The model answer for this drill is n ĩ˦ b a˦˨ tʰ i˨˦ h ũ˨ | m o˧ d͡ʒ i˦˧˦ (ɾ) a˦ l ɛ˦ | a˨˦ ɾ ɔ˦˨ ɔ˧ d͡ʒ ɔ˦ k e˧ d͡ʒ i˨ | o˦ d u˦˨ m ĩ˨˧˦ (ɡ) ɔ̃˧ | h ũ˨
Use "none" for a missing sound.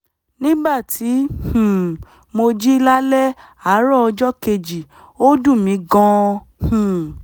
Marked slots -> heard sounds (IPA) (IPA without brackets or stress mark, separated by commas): l, ɡ